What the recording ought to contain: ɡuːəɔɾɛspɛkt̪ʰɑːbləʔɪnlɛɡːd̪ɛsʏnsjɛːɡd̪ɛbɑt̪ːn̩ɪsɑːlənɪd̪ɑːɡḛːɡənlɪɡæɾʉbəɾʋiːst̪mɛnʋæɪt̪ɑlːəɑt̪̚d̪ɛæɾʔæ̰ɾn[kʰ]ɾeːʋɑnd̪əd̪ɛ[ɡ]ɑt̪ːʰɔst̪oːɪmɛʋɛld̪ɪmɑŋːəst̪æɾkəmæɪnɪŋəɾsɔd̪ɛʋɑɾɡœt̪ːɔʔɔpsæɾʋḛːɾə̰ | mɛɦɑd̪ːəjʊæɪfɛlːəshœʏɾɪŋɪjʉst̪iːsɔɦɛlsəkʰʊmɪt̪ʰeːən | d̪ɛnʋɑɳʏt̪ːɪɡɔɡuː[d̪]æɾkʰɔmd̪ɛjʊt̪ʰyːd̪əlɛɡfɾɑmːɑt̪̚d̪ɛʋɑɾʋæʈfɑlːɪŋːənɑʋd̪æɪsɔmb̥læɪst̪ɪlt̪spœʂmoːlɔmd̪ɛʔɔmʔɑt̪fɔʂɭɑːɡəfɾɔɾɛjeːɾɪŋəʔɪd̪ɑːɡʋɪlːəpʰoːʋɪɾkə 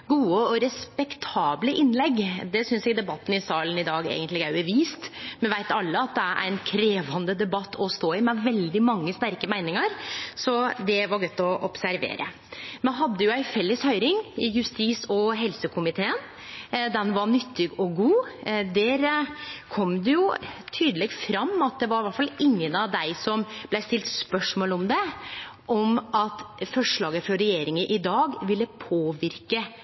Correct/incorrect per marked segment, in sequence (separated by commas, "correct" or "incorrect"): correct, incorrect, correct